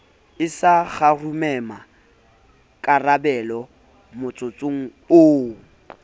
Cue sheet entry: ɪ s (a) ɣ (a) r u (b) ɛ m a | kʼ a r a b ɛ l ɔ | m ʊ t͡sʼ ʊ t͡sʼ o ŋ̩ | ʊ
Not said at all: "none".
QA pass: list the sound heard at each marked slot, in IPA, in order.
a, a, m

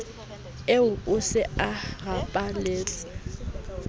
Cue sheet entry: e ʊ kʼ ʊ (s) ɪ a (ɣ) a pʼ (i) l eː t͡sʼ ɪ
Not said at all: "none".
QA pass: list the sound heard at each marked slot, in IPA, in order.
s, ɣ, a

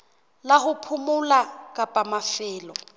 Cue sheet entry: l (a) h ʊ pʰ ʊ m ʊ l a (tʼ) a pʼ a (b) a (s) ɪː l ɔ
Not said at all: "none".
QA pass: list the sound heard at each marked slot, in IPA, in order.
a, kʼ, m, f

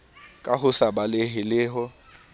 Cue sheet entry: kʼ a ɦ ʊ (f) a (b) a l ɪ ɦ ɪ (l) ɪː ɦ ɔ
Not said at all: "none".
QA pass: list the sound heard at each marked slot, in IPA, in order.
s, b, l

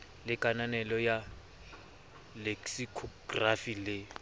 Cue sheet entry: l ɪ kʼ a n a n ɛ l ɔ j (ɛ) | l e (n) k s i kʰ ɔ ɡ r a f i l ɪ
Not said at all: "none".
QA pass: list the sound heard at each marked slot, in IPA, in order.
a, none

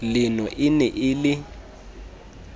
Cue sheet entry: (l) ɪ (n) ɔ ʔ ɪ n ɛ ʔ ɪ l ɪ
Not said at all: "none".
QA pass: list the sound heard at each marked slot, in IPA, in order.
l, n

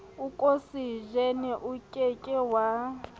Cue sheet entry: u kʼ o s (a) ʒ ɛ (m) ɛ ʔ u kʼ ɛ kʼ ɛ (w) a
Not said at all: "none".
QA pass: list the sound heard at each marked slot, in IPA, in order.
i, n, w

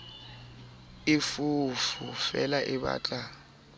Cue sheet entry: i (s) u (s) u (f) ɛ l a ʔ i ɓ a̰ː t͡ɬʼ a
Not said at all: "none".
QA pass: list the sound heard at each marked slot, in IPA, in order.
f, f, f

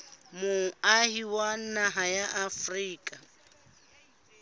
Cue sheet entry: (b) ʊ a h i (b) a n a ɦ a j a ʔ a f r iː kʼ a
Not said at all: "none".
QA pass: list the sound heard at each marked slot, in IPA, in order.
m, w

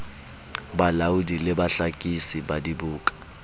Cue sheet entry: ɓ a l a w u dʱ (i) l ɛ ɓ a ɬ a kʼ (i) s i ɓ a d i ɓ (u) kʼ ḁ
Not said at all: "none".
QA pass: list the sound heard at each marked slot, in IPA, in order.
i, i, uː

